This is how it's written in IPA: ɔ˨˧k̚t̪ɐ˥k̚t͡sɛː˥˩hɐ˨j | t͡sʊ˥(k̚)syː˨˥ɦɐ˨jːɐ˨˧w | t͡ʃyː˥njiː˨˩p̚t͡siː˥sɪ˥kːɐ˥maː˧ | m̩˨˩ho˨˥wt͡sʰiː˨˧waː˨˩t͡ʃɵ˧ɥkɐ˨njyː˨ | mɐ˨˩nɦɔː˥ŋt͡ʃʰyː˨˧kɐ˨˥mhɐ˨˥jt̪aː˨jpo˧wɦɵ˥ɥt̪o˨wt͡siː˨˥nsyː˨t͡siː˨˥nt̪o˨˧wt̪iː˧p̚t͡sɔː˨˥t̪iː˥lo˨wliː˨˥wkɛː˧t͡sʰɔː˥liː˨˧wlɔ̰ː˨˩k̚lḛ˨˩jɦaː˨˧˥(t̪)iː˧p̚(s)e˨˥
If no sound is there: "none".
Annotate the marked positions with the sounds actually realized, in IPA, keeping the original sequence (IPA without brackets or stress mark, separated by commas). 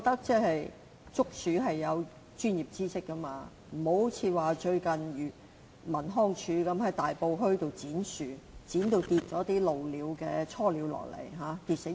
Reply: k̚, t̪, s